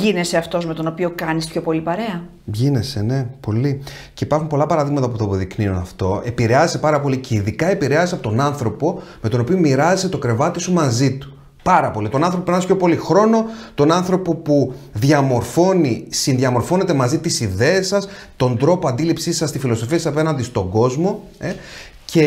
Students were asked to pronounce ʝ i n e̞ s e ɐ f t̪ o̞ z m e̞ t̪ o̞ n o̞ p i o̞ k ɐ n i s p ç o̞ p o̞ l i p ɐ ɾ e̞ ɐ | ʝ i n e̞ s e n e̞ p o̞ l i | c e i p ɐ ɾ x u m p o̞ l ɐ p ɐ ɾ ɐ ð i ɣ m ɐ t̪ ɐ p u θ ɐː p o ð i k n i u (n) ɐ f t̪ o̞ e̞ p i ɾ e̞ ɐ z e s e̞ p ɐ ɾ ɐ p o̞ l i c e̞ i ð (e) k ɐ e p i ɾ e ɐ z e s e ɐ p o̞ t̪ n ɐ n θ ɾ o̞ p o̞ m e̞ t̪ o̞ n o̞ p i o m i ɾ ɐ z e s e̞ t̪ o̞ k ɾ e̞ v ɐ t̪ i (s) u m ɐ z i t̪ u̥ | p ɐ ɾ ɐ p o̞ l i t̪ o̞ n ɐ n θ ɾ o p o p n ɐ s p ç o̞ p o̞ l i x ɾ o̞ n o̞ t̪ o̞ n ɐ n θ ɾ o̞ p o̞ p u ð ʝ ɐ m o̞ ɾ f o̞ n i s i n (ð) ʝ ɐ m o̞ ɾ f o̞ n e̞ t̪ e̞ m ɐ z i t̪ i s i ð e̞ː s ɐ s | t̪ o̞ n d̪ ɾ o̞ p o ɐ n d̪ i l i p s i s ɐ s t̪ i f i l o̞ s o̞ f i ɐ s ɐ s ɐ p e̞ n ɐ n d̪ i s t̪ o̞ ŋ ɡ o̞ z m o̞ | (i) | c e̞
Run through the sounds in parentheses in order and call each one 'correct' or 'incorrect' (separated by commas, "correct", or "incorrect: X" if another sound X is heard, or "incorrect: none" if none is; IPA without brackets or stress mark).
correct, incorrect: i, correct, correct, incorrect: e